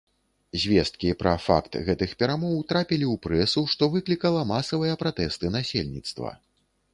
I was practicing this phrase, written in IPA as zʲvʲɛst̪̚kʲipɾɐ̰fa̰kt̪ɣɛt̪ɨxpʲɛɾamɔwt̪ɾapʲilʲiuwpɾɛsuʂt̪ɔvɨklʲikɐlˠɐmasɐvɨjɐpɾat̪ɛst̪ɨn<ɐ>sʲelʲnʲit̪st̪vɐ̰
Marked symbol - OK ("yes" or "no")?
no